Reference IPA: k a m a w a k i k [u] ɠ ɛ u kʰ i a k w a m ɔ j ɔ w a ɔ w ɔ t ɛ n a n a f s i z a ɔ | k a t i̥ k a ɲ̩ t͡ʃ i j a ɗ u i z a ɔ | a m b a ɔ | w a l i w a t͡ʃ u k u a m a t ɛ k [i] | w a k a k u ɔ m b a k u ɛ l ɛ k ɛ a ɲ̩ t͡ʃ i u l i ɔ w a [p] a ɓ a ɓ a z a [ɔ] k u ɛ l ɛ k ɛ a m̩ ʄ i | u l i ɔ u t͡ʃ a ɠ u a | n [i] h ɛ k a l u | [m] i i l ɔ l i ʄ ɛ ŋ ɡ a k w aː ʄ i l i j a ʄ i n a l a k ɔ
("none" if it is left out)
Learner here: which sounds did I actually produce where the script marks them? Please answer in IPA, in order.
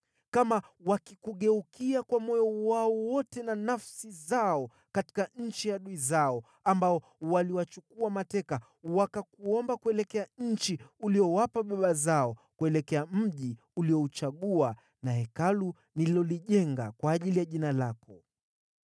u, a, p, ɔ, a, n

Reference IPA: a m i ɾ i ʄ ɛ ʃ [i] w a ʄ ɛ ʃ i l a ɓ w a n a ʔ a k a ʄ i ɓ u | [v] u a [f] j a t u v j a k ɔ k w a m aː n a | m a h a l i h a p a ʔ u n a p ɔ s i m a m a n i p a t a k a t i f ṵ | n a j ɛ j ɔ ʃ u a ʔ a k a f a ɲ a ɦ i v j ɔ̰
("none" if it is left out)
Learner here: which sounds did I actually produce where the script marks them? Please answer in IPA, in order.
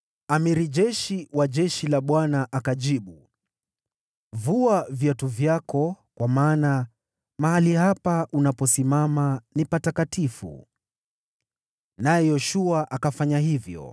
i, v, v

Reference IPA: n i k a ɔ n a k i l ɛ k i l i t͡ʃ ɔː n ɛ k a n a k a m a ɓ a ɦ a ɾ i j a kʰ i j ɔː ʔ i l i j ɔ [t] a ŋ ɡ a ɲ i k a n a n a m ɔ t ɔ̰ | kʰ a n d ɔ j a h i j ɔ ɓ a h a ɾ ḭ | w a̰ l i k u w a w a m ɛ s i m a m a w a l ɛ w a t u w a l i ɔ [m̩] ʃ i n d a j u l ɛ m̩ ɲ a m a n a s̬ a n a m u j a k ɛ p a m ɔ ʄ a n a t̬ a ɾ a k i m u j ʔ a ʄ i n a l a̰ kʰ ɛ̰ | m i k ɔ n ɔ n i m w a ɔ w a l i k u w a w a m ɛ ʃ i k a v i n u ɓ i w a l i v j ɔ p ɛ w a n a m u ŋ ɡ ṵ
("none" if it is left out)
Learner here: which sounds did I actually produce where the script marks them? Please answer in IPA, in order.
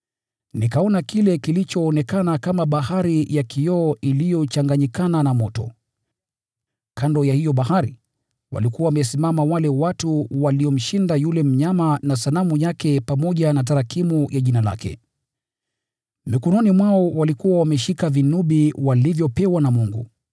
t͡ʃ, m̩

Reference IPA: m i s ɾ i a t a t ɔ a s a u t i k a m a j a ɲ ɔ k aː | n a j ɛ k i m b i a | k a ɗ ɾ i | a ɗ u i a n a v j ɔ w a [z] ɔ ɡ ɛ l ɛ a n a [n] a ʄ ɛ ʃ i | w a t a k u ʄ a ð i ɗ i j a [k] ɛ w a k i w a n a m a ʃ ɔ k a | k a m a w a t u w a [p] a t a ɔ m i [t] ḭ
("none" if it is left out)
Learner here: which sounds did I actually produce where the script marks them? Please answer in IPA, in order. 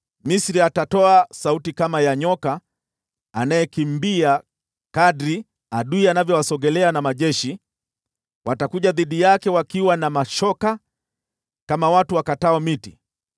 s, m, k, k, t

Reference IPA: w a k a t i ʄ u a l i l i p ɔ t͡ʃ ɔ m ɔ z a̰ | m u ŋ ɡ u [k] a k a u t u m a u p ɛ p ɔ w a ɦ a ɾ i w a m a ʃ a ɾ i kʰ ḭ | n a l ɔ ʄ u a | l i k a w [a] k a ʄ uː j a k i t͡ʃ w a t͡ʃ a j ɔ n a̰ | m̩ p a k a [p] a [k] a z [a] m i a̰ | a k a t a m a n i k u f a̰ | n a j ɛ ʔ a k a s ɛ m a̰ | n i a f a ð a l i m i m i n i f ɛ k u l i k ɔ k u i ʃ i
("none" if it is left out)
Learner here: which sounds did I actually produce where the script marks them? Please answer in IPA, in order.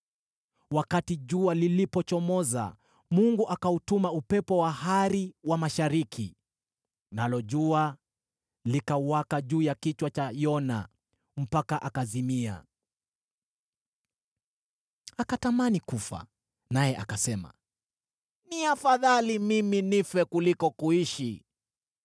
ʔ, a, ʔ, k, i

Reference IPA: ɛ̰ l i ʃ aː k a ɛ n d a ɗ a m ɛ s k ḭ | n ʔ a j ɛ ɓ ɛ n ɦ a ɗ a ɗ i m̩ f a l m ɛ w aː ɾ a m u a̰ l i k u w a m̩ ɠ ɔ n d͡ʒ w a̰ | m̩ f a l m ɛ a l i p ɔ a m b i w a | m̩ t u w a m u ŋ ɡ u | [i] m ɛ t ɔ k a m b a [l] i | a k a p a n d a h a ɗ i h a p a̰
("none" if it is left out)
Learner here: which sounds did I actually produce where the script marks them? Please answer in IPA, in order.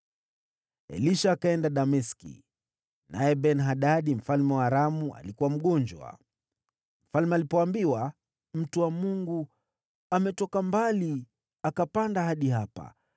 a, l

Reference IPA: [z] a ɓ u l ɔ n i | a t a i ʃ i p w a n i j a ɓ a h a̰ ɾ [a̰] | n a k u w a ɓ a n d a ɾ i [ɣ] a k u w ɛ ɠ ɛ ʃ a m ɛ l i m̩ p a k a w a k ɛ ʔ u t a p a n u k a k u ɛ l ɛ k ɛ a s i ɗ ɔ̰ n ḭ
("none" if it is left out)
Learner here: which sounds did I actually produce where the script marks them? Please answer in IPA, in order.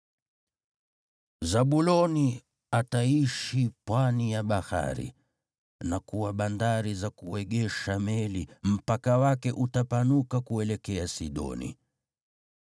z, ḭ, z

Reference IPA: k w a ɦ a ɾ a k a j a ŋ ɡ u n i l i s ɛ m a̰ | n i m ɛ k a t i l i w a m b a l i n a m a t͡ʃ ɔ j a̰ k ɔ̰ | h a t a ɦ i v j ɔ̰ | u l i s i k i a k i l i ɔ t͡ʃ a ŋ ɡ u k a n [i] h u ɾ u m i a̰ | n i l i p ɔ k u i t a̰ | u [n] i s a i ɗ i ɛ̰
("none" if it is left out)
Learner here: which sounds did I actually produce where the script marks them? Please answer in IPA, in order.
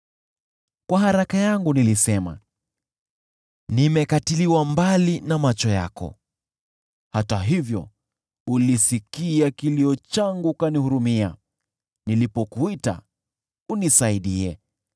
i, n

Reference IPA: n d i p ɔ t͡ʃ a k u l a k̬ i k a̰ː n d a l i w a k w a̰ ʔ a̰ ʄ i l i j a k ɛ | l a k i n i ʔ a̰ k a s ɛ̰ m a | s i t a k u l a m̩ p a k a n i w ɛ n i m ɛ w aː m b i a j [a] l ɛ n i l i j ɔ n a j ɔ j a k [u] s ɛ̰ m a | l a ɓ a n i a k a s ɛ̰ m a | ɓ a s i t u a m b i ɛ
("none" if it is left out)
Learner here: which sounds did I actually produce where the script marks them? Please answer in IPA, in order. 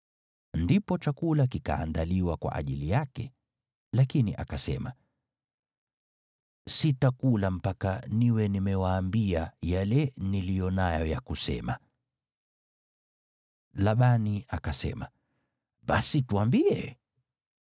a, u

